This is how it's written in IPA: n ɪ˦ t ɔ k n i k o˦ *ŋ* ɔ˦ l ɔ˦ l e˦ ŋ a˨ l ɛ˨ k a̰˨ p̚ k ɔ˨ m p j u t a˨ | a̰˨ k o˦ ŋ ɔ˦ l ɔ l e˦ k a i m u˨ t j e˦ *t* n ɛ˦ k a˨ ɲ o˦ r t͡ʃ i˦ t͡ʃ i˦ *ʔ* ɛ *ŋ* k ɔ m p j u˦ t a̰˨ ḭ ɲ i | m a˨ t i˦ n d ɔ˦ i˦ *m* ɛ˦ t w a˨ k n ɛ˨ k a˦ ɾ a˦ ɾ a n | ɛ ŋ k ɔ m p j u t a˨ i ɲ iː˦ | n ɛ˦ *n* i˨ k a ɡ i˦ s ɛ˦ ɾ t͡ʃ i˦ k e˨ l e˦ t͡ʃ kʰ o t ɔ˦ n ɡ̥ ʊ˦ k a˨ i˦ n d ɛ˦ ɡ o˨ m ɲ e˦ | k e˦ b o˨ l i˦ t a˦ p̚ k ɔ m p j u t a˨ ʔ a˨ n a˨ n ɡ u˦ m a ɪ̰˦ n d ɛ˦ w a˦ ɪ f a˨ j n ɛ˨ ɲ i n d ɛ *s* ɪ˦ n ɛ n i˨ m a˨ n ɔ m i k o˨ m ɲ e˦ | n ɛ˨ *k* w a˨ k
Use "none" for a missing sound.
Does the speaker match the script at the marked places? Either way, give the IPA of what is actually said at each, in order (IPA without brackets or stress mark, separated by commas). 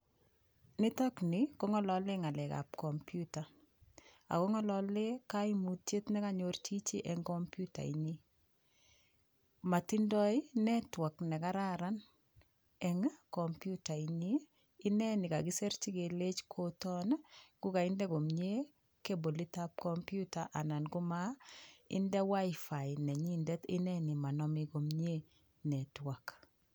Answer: ŋ, t, ʔ, ŋ, n, n, t, t